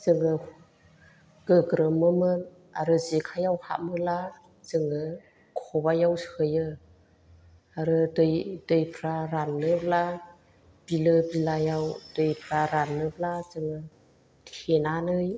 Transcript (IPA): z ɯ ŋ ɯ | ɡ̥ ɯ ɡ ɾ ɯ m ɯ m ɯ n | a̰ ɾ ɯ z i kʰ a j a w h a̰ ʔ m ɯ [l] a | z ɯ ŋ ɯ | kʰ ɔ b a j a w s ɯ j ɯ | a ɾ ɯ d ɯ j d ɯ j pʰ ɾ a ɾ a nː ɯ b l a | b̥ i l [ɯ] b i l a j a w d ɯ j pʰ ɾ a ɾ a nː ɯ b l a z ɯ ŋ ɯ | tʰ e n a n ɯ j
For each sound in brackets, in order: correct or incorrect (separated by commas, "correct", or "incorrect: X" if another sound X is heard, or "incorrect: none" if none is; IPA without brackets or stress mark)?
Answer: correct, correct